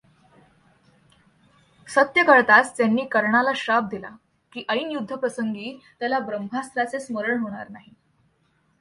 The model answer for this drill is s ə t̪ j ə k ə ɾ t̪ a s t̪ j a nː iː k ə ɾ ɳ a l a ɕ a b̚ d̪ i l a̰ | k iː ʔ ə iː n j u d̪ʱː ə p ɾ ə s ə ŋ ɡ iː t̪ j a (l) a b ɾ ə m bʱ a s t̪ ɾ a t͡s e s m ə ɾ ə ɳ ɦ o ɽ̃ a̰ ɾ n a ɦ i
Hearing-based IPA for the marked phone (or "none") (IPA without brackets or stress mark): l